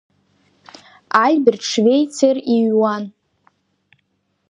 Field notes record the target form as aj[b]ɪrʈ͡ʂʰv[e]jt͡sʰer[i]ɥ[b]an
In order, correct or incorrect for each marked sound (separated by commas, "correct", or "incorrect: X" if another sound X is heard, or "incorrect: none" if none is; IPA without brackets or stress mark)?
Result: correct, correct, correct, incorrect: w